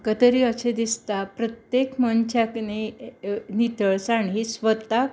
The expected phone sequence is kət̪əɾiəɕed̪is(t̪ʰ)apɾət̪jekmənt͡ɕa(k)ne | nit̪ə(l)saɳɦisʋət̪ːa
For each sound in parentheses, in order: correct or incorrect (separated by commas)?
incorrect, correct, incorrect